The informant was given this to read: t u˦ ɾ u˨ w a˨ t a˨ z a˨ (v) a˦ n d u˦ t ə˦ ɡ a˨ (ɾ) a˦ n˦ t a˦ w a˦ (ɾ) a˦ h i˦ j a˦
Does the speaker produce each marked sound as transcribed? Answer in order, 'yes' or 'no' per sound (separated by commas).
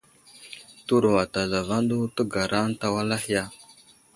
yes, yes, no